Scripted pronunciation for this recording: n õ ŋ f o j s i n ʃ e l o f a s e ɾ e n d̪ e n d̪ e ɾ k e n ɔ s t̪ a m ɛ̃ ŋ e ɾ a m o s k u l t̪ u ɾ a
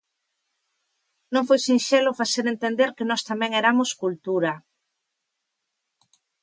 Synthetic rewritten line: n õ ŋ f o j s i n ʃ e l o f a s e ɾ e n t̪ e n d̪ e ɾ k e n ɔ s t̪ a m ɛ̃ ŋ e ɾ a m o s k u l t̪ u ɾ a

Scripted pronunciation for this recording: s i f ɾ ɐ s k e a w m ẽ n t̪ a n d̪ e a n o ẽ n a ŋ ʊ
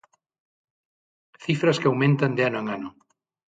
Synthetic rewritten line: θ i f ɾ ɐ s k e a w m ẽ n t̪ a n d̪ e a n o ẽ ŋ a n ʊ

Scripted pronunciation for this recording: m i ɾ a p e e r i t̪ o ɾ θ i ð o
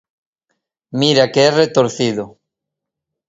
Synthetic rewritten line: m i ɾ a k e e r e t̪ o ɾ θ i ð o

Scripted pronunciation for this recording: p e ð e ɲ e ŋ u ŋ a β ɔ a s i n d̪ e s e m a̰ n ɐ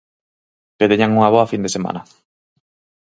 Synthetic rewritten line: p e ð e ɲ a ŋ u ŋ a β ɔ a f i n d̪ e s e m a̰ n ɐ

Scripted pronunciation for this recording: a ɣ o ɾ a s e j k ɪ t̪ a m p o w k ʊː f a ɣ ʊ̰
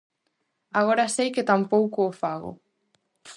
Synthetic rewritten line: a ɣ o ɾ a s e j k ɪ t̪ a m p o w k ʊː f a ɣ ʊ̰

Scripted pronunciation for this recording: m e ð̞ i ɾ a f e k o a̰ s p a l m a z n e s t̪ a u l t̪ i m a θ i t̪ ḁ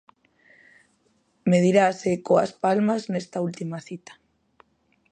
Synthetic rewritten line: m e ð̞ i ɾ a s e k o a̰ s p a l m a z n e s t̪ a u l t̪ i m a θ i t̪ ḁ

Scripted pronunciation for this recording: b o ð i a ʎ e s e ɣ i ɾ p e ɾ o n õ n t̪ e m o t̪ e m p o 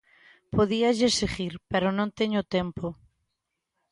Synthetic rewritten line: p o ð i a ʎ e s e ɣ i ɾ p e ɾ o n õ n t̪ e ɲ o t̪ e m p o

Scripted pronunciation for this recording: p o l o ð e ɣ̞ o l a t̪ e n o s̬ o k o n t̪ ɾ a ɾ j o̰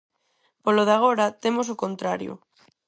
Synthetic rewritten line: p o l o ð a ɣ̞ o ɾ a t̪ e m o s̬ o k o n t̪ ɾ a ɾ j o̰

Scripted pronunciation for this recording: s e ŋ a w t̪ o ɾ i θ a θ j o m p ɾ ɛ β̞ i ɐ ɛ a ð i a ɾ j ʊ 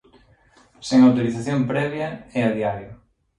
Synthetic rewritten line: s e ŋ a w t̪ o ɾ i θ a θ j o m p ɾ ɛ β̞ j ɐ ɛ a ð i a ɾ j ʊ

